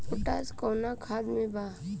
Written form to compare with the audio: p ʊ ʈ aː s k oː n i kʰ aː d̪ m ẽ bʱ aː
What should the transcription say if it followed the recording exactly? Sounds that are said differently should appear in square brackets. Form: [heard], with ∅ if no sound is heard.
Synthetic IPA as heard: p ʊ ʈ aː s k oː n [a] kʰ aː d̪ m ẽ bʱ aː